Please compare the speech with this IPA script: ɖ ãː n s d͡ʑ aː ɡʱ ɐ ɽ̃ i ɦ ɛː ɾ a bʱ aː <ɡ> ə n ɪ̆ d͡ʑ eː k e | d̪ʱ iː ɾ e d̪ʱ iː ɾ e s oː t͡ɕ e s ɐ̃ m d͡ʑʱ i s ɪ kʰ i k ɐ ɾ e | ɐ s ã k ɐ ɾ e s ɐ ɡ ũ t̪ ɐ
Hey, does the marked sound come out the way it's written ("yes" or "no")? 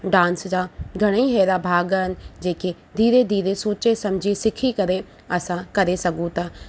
yes